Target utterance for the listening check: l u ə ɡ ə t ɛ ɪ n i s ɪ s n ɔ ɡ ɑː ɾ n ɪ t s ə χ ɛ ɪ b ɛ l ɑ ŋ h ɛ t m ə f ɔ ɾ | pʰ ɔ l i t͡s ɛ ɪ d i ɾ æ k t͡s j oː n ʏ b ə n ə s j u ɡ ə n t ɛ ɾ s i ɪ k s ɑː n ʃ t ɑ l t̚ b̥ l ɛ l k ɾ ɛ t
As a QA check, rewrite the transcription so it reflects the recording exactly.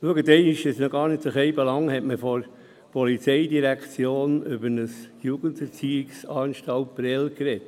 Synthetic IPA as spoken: l u ə ɡ ə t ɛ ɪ n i ʃ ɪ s n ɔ ɡ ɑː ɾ n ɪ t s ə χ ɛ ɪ b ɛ l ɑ ŋ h ɛ t m ə f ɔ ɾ | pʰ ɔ l i t͡s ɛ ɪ d i ɾ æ k t͡s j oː n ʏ b ə n ə s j u ɡ ə n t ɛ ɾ t͡s i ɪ k s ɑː n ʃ t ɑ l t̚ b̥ ɾ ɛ l k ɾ ɛ t